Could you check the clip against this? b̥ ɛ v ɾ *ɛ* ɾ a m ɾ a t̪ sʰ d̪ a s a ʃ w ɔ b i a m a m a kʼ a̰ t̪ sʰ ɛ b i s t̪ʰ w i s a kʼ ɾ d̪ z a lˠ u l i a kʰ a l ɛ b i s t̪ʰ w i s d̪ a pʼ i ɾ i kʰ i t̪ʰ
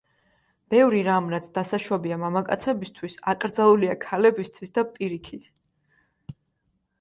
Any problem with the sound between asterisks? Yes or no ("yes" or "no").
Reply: yes